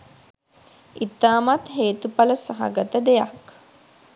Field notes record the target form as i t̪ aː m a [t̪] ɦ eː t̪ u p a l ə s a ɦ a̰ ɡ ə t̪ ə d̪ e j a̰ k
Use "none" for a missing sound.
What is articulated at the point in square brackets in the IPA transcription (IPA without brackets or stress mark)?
t̪